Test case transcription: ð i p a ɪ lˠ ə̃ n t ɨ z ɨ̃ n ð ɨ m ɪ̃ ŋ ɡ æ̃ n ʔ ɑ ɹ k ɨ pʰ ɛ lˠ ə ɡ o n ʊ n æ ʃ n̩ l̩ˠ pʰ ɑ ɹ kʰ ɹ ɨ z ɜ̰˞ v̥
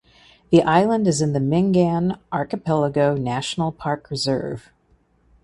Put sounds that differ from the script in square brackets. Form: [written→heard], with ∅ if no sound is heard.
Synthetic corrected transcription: ð i [p→ʔ] a ɪ lˠ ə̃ n [t→d] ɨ z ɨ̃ n ð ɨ m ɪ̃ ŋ ɡ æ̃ n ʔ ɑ ɹ k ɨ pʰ ɛ lˠ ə ɡ o [n→∅] ʊ n æ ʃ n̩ l̩ˠ pʰ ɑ ɹ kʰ ɹ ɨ z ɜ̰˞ v̥